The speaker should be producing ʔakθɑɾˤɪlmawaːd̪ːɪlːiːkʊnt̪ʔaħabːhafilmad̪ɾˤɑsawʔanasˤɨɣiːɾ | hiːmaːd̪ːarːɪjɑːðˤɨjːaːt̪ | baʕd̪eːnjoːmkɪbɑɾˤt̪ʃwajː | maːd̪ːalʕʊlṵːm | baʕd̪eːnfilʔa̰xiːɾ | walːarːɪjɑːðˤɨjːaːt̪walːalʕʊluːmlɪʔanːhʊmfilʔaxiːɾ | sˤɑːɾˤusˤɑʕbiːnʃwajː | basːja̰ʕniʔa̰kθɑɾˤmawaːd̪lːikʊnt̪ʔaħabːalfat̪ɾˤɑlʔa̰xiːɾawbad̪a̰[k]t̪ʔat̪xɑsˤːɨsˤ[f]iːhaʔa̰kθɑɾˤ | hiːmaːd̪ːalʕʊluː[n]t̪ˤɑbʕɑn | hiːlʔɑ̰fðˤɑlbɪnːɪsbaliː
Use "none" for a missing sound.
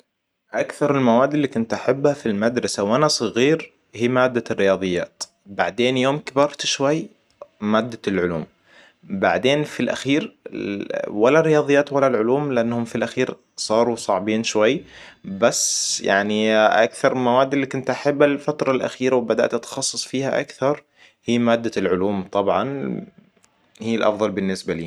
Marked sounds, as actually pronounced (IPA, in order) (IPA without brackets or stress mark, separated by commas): ʔ, f, m